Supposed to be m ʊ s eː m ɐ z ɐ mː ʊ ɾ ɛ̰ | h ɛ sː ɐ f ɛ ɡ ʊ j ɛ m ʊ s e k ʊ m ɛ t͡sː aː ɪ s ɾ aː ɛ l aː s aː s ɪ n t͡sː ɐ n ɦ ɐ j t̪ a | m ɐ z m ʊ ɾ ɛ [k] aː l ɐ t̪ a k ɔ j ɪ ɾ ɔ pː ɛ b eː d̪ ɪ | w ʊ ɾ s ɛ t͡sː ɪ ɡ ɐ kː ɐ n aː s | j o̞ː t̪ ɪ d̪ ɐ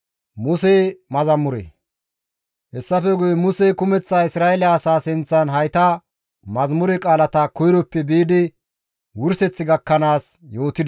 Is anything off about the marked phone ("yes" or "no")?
yes